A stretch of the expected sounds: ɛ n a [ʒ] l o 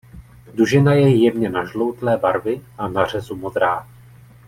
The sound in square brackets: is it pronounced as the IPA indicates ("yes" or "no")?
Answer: yes